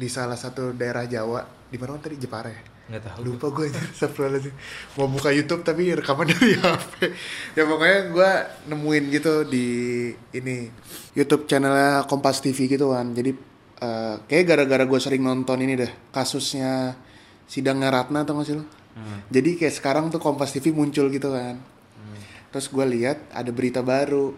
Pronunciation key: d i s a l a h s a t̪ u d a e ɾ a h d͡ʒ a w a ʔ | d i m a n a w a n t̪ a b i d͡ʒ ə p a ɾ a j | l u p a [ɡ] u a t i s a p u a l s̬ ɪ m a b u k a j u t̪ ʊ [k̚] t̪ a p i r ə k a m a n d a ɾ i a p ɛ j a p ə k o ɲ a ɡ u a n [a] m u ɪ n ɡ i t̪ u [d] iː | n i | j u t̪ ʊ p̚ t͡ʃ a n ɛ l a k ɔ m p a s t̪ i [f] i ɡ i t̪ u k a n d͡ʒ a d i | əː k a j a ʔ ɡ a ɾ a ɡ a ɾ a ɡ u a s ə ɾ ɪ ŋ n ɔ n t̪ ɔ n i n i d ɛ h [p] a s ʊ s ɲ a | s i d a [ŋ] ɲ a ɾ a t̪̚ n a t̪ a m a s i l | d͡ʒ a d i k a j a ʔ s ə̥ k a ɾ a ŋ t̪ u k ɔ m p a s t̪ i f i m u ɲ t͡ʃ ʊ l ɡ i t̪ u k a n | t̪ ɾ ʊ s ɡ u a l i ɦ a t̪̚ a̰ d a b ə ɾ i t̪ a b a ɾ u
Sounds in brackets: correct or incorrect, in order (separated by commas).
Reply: correct, incorrect, incorrect, correct, correct, incorrect, correct